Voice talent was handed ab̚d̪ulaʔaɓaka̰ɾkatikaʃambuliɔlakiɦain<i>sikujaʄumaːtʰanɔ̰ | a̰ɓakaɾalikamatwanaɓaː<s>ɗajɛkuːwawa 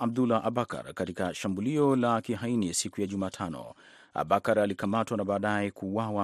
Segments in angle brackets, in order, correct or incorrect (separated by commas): correct, incorrect